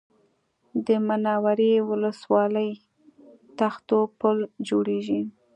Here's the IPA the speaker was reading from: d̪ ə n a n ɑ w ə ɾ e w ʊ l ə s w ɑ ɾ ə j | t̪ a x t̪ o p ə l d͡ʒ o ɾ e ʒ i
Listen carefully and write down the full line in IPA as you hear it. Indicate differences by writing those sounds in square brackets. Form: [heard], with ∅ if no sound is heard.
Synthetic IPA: d̪ ə [m] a n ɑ w [a] ɾ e w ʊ l ə s w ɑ [l] ə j | t̪ a x t̪ o p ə l d͡ʒ o [ɽ] e ʒ i